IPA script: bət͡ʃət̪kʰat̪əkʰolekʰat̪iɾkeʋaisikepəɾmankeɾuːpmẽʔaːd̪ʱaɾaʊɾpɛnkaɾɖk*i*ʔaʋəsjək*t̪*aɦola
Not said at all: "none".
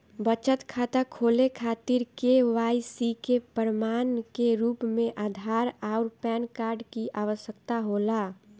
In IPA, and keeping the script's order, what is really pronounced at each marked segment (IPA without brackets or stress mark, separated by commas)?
i, t̪